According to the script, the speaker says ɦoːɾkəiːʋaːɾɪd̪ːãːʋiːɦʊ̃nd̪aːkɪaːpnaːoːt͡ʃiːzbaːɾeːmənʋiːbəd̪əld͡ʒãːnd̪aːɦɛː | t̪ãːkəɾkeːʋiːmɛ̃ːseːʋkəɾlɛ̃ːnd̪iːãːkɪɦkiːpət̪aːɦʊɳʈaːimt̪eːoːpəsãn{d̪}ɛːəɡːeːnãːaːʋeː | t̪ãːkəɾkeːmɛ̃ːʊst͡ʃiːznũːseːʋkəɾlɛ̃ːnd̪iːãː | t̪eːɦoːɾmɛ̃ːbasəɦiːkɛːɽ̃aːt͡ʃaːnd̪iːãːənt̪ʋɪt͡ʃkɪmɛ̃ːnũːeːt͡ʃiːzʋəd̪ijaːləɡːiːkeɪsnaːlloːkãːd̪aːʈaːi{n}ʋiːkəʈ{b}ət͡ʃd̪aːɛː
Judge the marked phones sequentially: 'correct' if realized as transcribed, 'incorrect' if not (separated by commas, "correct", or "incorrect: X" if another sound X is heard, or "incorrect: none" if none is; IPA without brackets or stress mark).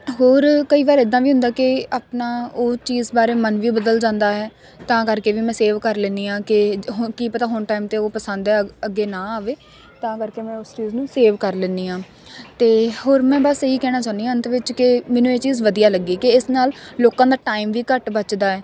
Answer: correct, incorrect: m, correct